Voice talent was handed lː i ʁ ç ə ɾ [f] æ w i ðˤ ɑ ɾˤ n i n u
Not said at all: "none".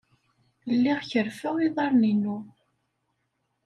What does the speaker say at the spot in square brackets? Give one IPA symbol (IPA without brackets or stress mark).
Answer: f